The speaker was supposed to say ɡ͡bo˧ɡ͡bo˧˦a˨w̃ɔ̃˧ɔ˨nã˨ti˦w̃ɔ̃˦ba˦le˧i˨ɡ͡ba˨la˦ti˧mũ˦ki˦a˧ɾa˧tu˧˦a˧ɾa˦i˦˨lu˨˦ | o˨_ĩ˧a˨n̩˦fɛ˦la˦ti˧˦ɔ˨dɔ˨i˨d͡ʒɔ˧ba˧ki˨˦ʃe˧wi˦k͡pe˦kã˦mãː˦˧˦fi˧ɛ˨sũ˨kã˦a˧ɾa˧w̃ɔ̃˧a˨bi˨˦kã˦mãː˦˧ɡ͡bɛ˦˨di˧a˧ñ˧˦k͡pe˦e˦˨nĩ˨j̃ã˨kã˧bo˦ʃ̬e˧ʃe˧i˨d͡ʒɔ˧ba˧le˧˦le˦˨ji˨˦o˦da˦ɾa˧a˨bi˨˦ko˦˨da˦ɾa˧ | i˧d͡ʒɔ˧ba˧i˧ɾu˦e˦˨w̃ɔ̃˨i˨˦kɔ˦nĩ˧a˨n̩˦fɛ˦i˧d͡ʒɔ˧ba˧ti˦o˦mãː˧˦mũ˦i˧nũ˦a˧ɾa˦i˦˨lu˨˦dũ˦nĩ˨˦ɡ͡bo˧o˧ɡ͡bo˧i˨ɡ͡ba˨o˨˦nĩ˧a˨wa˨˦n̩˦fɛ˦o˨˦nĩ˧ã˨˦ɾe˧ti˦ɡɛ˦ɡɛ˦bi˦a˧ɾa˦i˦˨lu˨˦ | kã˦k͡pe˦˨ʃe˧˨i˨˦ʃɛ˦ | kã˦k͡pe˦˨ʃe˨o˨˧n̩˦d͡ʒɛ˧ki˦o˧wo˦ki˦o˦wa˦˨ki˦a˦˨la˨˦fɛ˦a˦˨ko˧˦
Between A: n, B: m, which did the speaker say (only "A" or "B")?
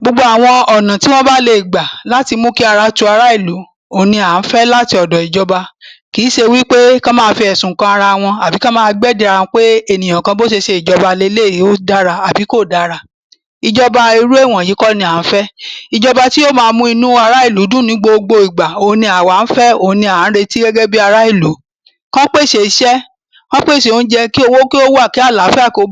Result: A